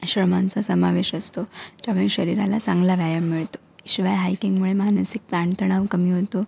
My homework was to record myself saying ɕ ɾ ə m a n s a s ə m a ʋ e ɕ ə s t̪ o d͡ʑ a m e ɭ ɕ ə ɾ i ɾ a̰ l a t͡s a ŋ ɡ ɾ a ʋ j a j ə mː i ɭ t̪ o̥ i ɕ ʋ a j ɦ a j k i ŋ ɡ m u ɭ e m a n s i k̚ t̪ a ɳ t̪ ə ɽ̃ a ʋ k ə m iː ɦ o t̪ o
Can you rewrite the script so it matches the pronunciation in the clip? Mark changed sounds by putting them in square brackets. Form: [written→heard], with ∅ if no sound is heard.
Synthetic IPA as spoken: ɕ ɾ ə m a n [s→t͡s] a s ə m a ʋ e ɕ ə s t̪ o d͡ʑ a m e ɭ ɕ ə ɾ i ɾ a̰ l a t͡s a ŋ ɡ [ɾ→l] a ʋ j a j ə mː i ɭ t̪ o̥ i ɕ ʋ a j ɦ a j k i ŋ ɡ m u ɭ e m a n s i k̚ t̪ a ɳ t̪ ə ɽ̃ a ʋ k ə m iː ɦ o t̪ o